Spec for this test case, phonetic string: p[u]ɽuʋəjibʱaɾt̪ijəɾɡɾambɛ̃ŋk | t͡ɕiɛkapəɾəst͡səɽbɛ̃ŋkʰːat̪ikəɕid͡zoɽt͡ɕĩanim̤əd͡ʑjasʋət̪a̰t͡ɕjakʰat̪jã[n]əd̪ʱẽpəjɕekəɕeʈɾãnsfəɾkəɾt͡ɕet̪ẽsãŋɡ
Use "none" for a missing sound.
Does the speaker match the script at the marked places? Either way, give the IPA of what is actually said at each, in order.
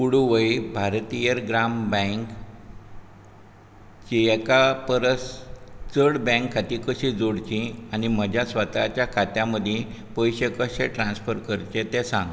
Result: u, m

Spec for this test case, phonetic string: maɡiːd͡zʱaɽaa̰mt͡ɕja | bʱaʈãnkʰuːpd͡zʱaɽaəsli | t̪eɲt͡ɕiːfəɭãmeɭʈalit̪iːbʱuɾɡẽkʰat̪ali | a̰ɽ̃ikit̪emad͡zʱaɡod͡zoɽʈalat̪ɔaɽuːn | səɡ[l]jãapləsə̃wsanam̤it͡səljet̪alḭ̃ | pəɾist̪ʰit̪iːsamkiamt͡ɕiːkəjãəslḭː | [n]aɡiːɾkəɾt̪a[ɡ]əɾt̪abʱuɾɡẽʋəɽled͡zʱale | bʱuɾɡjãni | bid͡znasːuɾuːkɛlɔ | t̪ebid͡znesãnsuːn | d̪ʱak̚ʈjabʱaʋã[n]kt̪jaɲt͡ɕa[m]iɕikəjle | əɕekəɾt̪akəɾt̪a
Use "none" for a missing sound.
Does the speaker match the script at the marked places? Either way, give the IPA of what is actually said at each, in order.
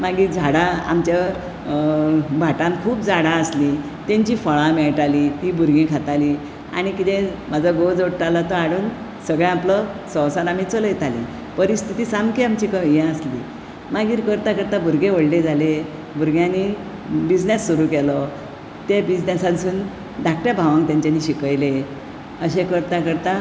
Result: ɭ, m, k, ŋ, n

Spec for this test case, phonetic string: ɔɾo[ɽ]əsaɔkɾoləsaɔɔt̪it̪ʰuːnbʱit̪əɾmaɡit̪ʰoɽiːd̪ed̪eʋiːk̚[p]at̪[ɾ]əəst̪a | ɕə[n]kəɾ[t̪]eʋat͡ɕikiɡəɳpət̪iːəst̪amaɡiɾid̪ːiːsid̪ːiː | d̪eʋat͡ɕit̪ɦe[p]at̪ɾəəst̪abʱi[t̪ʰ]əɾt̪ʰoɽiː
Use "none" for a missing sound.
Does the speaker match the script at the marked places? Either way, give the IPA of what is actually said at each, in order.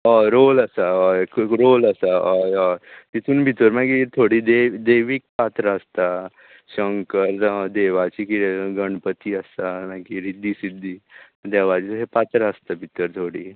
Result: l, p, ɾ, ŋ, d̪, p, t̪

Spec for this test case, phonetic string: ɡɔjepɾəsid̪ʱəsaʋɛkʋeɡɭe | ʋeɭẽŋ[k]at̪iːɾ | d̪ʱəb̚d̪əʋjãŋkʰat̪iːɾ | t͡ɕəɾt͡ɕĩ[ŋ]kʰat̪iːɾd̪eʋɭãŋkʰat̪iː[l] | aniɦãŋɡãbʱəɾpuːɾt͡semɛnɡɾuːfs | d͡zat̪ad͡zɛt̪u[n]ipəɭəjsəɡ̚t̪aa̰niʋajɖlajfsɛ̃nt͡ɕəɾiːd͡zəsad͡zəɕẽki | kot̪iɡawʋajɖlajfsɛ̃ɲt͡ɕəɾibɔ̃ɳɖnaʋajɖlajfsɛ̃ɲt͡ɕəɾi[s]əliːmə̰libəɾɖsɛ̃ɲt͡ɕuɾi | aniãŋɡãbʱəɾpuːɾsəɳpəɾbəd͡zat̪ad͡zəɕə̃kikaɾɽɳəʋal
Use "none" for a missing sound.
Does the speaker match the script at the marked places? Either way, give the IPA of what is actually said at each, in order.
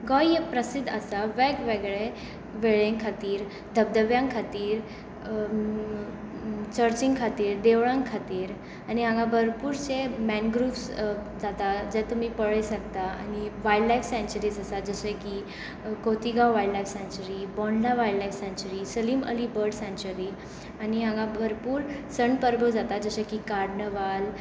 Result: kʰ, ŋ, ɾ, m, s

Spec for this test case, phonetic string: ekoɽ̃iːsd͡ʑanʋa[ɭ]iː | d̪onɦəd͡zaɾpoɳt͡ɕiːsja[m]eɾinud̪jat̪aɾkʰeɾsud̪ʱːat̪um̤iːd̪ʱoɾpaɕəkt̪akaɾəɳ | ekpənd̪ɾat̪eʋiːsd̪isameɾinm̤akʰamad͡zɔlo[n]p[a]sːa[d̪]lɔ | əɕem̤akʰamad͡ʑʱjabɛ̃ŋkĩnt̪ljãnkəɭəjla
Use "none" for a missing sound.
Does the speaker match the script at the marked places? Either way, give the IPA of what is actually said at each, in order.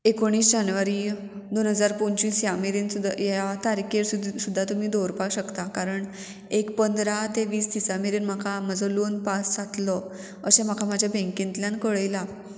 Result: ɾ, m, n, a, t̪

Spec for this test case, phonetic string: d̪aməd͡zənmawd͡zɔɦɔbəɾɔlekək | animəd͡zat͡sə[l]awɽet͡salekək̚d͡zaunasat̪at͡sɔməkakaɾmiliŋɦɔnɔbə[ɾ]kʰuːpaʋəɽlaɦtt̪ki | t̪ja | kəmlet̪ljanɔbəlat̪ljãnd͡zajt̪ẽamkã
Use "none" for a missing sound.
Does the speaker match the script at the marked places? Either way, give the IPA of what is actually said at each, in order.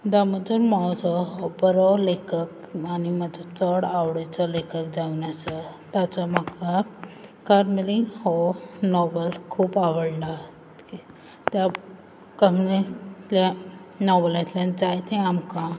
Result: ɽ, l

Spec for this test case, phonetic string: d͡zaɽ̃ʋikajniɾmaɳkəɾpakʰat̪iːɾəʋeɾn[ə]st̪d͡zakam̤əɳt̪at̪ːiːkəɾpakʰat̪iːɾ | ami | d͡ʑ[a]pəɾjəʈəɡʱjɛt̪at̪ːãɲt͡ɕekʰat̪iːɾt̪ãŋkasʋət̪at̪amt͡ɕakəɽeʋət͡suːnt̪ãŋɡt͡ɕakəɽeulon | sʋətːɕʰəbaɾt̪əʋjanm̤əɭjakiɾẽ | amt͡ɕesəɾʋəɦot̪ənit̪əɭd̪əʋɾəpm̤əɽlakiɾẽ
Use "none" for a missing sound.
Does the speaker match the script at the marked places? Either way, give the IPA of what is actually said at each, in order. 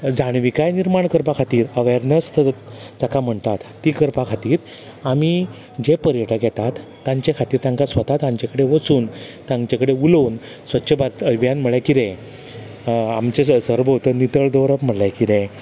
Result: ə, e

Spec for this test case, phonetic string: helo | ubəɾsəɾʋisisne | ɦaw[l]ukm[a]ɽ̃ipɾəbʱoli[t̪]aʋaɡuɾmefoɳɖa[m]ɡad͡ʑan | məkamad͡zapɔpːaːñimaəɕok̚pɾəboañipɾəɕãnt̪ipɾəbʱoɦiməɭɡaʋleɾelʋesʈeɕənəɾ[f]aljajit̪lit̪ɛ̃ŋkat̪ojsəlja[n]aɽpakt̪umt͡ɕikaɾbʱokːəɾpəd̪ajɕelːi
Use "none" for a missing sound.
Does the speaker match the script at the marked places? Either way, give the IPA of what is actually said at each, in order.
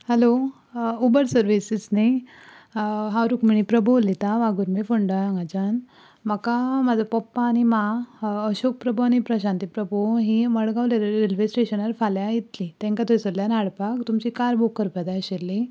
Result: ɾ, i, t̪, ŋ, f, n

